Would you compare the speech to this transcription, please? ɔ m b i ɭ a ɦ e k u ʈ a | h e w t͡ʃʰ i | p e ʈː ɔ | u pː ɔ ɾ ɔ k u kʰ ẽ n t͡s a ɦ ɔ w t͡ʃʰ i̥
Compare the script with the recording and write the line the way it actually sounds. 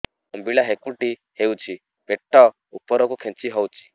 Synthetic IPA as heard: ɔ m b i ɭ a ɦ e k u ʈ i | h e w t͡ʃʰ i | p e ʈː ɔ | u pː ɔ ɾ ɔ k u kʰ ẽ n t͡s i ɦ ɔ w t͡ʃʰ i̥